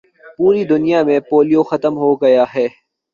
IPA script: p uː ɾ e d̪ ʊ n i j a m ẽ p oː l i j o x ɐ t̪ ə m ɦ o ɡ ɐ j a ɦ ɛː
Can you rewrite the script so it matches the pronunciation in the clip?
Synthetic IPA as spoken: p uː ɾ i d̪ ʊ n i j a m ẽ p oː l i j o x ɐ t̪ ə m ɦ o ɡ ɐ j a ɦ ɛː